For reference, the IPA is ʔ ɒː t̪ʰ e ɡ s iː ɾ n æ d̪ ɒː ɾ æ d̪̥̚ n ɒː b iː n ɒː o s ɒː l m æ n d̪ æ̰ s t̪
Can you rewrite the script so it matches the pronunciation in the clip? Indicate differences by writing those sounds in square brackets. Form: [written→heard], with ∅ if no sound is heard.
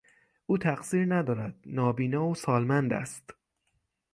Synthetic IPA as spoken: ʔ [ɒː→uː] t̪ʰ [e→æ] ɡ s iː ɾ n æ d̪ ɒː ɾ æ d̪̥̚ n ɒː b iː n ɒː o s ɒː l m æ n d̪ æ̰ s t̪